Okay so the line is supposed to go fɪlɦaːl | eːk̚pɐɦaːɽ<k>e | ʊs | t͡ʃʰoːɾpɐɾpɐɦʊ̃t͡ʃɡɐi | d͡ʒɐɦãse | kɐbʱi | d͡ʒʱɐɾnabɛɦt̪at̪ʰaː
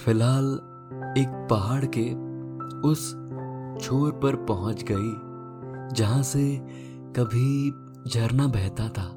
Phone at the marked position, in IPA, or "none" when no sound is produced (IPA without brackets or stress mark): k